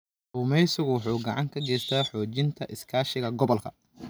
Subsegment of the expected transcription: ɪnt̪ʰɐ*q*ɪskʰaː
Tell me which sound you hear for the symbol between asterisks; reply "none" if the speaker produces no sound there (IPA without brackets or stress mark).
ʔ